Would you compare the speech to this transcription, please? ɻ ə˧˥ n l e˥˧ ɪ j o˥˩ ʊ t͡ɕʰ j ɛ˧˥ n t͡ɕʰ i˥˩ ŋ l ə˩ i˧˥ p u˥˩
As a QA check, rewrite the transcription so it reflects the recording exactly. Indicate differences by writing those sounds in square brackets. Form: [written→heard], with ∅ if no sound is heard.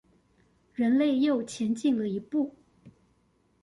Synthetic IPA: ɻ ə˧˥ n l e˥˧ ɪ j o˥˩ ʊ t͡ɕʰ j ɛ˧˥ n [t͡ɕʰ→t͡ɕ] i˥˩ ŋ l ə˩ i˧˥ p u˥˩